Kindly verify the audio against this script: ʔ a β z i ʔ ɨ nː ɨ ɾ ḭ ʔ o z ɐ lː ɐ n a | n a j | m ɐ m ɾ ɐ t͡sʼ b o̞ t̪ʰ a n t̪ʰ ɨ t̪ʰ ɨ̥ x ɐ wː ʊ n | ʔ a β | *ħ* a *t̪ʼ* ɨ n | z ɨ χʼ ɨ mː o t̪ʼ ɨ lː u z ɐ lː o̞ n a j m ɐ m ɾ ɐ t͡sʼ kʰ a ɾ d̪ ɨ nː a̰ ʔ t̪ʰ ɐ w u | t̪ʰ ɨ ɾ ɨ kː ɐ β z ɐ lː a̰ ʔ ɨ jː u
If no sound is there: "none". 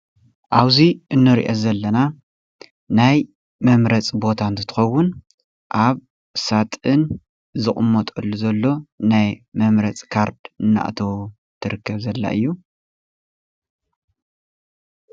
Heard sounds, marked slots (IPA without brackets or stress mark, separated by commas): s, t̪ʼ